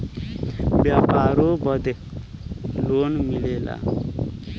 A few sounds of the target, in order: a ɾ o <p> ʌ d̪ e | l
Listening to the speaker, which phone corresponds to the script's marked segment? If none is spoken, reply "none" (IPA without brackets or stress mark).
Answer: b